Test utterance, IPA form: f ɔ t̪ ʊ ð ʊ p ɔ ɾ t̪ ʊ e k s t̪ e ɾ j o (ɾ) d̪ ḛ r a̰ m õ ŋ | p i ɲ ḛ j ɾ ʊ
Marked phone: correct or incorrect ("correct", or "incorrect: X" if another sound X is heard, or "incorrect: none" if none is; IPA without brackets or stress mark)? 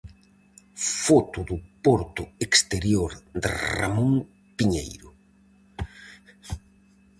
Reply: correct